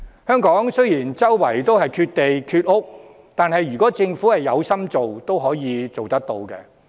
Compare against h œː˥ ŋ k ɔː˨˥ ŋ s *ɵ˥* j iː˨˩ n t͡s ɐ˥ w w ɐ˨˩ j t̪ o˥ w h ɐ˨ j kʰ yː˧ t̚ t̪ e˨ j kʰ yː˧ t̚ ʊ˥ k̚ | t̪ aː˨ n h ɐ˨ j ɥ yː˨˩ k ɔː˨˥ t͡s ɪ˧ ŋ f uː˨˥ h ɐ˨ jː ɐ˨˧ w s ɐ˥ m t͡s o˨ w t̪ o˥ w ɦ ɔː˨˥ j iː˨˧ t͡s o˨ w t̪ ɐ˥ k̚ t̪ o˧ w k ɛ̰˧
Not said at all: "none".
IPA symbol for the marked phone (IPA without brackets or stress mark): ɵ˥